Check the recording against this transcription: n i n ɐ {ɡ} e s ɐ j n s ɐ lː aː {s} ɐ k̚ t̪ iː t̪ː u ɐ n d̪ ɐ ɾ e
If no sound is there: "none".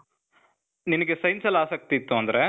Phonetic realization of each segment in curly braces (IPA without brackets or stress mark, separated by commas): ɡ, s